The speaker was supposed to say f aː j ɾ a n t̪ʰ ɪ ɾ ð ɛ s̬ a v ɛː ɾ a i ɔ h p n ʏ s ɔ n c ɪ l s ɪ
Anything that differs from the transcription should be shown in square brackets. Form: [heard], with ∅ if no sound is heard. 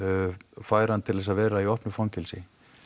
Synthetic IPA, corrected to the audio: f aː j ɾ a n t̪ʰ ɪ [l] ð ɛ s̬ a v ɛː ɾ a i ɔ h p n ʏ [f] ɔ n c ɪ l s ɪ